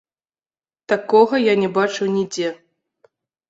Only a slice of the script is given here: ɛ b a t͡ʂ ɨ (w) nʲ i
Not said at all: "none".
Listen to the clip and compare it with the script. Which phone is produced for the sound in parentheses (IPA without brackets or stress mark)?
w